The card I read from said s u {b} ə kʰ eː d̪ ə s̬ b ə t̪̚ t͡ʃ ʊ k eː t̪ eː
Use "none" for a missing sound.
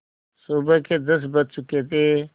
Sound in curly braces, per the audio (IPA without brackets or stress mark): b